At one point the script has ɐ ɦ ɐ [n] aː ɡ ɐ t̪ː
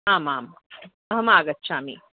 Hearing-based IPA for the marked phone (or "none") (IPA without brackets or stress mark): m